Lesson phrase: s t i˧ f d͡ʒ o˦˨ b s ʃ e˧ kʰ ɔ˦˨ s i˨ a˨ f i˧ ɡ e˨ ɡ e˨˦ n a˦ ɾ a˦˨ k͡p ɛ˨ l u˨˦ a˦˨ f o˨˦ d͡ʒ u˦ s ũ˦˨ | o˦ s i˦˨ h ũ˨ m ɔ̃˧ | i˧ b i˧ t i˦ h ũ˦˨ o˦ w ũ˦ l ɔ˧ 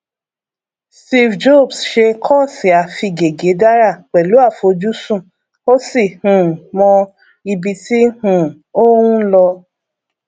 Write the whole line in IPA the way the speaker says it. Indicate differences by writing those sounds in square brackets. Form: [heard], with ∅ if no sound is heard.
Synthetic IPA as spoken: s t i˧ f d͡ʒ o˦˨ b s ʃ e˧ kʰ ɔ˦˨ s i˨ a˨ f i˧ ɡ e˨ ɡ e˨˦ [d] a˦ ɾ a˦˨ k͡p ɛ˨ l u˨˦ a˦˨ f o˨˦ d͡ʒ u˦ s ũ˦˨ | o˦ s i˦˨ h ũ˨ m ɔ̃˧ | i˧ b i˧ t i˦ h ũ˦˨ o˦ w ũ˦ l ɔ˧

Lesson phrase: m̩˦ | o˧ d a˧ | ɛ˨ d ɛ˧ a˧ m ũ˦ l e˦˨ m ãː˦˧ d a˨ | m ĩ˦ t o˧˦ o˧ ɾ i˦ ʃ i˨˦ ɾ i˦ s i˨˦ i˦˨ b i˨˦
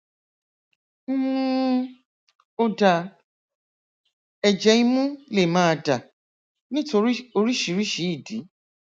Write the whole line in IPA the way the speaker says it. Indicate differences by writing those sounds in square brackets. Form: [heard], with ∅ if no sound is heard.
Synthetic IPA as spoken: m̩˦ | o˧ d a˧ | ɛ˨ [d͡ʒ] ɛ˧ [i˧] m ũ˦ l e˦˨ m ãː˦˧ d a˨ | [n] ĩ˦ t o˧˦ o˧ ɾ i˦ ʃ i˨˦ ɾ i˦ [ʃ] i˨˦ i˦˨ [d] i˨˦

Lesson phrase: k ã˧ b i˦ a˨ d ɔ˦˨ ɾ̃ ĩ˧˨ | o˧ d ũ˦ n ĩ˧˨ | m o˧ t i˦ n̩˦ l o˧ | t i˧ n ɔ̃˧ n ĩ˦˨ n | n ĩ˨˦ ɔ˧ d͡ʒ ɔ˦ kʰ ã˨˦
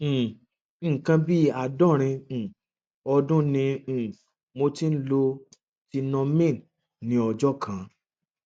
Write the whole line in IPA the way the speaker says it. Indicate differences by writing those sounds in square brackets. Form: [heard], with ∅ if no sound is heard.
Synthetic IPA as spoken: k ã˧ b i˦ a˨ d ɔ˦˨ ɾ̃ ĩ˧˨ | [ɔ˧] d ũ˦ n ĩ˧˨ | m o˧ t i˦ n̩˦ l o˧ | t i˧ n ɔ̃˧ [m] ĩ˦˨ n | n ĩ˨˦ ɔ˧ d͡ʒ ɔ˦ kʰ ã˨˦

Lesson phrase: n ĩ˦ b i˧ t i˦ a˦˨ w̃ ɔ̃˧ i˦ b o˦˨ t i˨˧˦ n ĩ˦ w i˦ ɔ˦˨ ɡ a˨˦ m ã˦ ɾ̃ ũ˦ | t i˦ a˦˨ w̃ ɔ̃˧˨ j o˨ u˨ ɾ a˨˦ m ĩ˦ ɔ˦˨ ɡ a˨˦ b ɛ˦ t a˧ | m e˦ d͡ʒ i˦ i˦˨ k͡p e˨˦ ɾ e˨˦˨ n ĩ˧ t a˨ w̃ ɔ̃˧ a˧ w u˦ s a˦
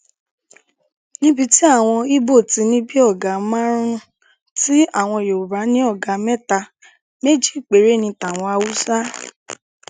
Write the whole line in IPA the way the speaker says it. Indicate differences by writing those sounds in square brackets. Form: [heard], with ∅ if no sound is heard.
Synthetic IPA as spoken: n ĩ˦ b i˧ t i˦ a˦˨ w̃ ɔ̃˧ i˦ b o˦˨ t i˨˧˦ n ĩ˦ [b] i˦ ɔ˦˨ ɡ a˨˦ m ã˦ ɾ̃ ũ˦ | t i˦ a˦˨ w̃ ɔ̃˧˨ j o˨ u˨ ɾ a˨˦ [n] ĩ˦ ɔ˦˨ ɡ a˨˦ [m] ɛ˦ t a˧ | m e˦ d͡ʒ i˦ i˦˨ k͡p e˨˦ ɾ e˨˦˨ n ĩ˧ t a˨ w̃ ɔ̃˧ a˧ w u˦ s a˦

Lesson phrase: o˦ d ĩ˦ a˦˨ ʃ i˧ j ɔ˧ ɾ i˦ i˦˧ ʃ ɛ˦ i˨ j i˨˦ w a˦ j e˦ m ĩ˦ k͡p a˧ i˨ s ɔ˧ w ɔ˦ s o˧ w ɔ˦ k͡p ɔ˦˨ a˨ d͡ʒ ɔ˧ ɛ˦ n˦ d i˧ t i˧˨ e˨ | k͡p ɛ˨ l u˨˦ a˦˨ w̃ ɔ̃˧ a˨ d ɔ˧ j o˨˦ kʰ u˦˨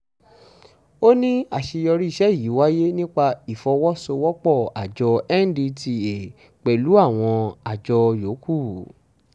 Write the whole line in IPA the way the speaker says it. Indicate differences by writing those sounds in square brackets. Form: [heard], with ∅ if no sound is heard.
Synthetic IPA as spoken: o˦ [n] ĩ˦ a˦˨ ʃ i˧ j ɔ˧ ɾ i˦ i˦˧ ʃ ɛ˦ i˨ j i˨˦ w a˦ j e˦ [n] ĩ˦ k͡p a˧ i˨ [f] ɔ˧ w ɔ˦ s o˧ w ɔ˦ k͡p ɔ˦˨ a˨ d͡ʒ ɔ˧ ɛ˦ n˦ d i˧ t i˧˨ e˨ | k͡p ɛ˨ l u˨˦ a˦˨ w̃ ɔ̃˧ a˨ [d͡ʒ] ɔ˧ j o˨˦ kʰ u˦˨

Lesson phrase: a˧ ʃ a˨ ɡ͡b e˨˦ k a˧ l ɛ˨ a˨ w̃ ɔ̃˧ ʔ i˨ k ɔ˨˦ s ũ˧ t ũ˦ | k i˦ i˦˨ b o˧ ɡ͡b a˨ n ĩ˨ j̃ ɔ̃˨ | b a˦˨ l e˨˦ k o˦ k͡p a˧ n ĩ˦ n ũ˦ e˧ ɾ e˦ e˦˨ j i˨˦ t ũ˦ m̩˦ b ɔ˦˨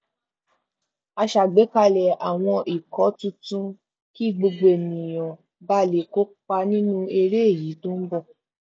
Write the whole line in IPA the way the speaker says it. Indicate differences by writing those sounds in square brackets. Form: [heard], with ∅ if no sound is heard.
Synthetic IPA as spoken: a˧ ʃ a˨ ɡ͡b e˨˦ k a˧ l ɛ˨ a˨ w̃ ɔ̃˧ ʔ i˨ k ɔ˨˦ [t] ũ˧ t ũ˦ | k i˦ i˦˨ [ɡ͡b] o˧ ɡ͡b [e˨] n ĩ˨ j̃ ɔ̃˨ | b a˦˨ l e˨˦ k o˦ k͡p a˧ n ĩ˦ n ũ˦ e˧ ɾ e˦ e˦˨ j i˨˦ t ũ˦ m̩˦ b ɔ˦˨

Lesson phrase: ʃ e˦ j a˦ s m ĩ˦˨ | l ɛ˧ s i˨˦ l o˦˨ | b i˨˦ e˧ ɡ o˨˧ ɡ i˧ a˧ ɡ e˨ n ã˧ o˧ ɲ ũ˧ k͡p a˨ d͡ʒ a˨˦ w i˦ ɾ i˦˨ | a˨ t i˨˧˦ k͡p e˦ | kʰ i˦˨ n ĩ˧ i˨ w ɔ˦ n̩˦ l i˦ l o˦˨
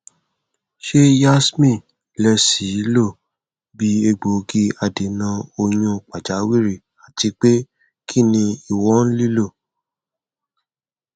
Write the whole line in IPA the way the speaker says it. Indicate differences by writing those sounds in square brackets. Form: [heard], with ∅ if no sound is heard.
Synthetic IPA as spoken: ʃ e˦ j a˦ s m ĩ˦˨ | l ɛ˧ s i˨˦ l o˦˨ | b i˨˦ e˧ [ɡ͡b] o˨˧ ɡ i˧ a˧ [d] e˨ n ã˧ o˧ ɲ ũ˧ k͡p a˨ d͡ʒ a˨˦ w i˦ ɾ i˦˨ | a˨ t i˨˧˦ k͡p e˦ | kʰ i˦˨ n ĩ˧ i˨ w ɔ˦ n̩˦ l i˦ l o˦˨

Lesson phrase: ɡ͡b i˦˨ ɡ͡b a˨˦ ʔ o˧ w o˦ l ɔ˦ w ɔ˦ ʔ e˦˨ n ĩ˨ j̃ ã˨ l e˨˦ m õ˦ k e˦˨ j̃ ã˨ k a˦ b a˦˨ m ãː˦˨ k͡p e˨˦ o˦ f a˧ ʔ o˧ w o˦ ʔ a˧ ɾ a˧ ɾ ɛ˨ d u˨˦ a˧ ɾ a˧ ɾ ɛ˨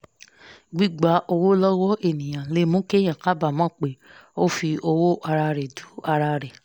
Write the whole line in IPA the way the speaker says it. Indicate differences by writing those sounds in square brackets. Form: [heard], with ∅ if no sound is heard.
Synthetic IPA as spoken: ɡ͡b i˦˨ ɡ͡b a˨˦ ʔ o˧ w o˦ l ɔ˦ w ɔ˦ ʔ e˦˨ n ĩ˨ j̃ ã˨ l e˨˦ m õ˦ k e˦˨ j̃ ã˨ k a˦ b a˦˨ m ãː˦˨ k͡p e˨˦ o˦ f [i˧] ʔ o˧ w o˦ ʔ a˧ ɾ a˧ ɾ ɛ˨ d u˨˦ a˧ ɾ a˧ ɾ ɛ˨

